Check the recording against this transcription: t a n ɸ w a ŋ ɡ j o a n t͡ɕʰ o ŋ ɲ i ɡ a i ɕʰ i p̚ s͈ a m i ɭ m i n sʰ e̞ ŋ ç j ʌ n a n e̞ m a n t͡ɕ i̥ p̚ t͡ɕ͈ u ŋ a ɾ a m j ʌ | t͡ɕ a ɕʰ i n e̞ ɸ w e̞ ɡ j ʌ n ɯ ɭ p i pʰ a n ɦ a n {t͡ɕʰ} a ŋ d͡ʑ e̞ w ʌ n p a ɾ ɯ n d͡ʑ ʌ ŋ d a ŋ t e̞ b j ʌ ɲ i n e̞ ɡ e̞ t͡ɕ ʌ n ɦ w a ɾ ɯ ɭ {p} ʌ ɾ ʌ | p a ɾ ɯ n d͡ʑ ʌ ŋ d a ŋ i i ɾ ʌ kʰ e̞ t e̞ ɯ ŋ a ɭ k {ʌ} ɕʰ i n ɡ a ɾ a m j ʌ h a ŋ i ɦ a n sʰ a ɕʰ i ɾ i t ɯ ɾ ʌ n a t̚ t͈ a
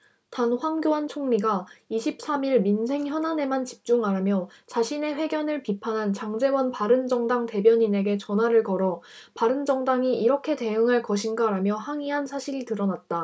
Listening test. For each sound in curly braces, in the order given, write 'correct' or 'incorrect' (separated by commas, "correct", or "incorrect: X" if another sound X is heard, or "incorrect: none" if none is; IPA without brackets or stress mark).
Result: incorrect: t͡ɕ, incorrect: k, correct